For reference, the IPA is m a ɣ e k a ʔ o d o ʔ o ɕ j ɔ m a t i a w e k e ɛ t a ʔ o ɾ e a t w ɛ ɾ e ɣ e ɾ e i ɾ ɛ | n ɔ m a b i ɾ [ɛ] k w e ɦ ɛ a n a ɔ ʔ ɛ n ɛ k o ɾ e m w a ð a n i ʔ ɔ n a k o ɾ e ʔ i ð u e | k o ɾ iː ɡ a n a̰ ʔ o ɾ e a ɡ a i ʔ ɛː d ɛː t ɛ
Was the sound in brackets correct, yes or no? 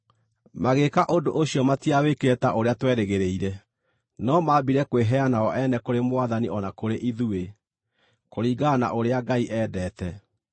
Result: yes